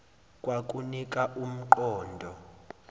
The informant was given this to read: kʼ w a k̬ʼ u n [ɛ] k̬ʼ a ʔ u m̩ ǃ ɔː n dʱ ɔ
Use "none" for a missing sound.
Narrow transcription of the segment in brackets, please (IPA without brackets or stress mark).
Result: i